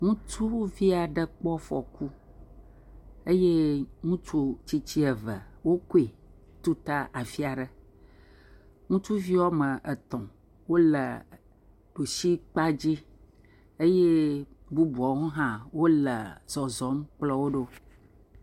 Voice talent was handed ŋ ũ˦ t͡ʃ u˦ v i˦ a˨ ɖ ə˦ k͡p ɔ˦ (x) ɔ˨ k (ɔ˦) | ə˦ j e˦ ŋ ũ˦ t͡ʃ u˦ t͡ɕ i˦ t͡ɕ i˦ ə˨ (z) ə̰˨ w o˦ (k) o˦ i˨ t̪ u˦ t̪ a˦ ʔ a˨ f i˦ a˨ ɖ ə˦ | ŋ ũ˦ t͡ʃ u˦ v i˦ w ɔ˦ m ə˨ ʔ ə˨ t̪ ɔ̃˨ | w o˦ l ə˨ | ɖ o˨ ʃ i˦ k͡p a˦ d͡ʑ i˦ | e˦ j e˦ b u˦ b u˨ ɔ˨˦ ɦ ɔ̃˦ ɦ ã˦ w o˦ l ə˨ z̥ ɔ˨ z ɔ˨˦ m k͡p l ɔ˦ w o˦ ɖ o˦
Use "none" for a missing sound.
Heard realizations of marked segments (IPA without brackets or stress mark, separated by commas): f, u˦, v, k